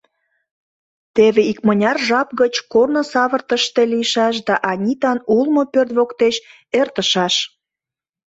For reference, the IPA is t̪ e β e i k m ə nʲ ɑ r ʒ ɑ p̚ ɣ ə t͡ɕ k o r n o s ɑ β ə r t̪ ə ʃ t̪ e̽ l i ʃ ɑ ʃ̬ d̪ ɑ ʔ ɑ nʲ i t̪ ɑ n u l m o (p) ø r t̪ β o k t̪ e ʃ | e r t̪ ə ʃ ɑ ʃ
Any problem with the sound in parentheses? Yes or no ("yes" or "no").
no